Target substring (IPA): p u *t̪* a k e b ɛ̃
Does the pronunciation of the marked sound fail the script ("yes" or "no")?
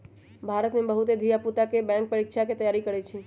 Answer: no